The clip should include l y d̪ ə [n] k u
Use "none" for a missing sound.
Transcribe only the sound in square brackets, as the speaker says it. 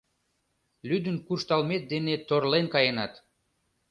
n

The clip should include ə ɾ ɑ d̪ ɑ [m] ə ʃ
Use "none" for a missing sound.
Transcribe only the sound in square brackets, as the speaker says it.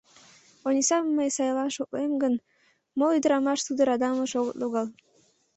m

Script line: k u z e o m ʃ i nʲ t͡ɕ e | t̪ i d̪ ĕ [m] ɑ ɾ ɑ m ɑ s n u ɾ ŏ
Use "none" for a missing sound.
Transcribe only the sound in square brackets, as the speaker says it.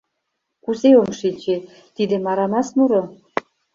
m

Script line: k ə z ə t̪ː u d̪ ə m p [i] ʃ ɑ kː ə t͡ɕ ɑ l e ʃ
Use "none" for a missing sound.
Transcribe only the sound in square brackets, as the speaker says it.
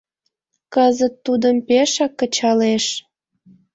e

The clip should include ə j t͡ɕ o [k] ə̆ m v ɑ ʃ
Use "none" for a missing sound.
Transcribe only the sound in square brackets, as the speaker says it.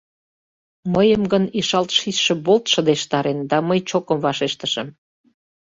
k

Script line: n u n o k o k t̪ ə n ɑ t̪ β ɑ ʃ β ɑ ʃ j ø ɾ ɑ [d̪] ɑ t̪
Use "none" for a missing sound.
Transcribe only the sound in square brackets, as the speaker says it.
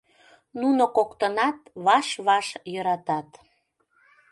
t̪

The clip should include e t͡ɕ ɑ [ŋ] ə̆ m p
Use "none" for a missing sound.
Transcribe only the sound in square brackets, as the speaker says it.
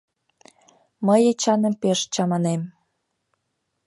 n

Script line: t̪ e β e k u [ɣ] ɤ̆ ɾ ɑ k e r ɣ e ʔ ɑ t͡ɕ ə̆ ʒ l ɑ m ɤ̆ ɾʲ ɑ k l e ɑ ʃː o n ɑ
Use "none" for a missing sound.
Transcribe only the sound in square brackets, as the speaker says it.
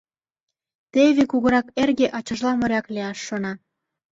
ɣ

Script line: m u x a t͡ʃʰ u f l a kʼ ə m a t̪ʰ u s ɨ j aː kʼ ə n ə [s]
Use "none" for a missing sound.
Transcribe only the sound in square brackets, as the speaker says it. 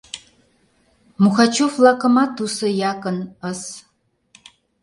s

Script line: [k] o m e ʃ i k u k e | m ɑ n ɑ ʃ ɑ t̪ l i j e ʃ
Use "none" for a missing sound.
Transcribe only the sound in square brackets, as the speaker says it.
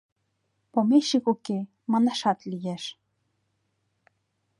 p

